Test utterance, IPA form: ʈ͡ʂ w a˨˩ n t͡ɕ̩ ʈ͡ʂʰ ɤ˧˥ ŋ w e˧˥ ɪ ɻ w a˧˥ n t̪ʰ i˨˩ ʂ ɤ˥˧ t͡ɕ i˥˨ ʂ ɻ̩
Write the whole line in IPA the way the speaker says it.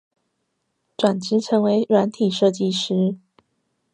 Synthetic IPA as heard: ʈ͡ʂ w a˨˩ n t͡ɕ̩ ʈ͡ʂʰ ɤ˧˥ ŋ w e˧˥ ɪ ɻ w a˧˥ n t̪ʰ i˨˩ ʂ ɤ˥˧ t͡ɕ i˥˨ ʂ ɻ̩